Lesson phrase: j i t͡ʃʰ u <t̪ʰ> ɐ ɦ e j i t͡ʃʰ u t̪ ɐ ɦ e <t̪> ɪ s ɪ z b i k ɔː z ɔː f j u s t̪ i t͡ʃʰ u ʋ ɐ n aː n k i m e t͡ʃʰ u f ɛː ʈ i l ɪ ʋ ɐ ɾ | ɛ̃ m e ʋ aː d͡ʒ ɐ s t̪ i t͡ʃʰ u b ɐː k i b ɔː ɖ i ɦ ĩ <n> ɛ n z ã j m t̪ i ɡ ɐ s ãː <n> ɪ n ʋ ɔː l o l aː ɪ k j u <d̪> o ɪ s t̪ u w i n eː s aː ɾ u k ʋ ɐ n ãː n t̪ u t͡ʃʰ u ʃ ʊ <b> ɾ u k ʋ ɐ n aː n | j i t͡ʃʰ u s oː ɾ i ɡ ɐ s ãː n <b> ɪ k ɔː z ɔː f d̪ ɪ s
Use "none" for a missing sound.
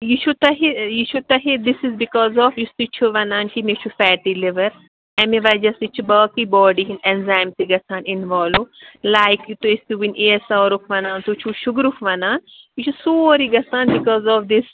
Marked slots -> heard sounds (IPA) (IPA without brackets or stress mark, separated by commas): t̪, d̪, n, n, t̪, ɡ, b